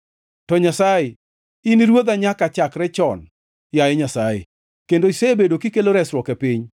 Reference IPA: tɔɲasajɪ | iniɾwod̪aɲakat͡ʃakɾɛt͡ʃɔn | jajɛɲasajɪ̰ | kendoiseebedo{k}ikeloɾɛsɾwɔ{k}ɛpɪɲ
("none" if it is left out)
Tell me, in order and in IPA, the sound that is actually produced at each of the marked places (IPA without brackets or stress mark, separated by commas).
k, k